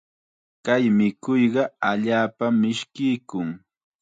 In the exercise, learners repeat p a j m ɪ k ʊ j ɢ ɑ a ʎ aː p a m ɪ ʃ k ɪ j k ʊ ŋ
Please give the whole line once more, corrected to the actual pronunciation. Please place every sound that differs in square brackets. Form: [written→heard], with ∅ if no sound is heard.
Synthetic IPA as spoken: [p→k] a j m ɪ k ʊ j ɢ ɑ a ʎ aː p a m ɪ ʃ k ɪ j k ʊ ŋ